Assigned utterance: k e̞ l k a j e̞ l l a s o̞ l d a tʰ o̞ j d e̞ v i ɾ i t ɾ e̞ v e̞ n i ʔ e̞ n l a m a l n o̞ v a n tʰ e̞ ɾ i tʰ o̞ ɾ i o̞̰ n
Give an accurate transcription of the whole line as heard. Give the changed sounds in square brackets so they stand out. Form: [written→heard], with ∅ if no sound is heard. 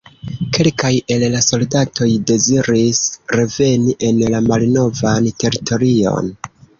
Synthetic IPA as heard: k e̞ l k a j e̞ l l a s o̞ l d a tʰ o̞ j d e̞ [v→z] i ɾ i [t→s] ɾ e̞ v e̞ n i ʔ e̞ n l a m a l n o̞ v a n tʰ e̞ ɾ i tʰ o̞ ɾ i o̞̰ n